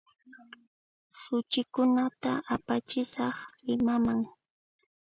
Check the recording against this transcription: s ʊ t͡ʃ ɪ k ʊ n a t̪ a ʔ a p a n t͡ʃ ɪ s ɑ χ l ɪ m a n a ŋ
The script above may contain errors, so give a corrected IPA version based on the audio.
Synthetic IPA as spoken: s ʊ t͡ʃ ɪ k ʊ n a t̪ a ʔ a p a t͡ʃ ɪ s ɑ χ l ɪ m a m a ŋ